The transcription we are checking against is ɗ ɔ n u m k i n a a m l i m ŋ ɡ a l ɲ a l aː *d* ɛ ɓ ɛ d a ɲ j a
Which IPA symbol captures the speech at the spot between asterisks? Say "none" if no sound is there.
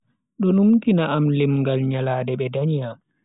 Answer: d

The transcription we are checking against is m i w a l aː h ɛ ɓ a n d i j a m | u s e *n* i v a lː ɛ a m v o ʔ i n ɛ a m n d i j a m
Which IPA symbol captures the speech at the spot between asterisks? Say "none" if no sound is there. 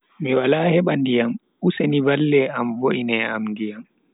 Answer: n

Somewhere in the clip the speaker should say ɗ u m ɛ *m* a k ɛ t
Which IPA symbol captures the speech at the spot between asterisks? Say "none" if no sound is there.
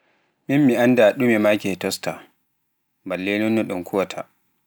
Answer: m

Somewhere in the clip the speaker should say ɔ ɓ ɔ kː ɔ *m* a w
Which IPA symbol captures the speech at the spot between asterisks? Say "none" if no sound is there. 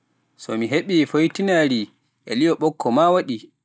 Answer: m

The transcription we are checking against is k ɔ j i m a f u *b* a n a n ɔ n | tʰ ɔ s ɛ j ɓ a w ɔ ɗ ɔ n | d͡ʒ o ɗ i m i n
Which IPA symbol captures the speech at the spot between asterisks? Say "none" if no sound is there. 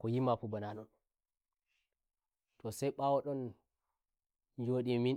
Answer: b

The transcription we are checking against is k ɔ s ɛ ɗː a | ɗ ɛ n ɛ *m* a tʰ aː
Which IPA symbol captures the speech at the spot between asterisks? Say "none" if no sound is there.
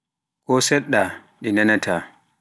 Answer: n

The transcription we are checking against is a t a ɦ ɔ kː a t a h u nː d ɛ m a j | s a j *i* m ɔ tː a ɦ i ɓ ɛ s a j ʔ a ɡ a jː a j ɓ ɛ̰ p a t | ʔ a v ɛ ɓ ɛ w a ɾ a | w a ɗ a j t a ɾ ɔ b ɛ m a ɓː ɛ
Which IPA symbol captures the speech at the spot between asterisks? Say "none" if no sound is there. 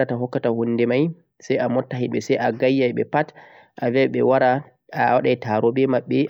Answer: a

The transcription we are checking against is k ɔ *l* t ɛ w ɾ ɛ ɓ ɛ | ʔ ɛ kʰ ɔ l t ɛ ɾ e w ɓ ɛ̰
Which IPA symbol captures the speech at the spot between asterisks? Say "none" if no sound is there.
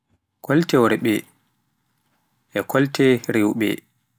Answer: l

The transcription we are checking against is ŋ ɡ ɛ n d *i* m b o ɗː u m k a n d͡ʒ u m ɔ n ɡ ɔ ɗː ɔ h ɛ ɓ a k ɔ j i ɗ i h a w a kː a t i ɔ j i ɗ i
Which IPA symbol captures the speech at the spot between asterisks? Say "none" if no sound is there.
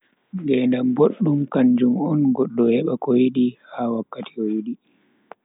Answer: a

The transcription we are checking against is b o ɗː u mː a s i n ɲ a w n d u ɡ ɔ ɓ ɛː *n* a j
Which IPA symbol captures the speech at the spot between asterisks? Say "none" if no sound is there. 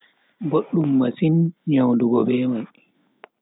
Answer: m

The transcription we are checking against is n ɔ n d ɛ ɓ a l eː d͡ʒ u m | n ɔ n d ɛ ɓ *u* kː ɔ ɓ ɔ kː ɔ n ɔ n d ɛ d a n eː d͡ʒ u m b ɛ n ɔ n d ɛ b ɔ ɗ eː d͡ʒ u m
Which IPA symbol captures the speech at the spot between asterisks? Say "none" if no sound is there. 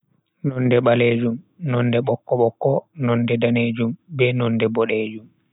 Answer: ɔ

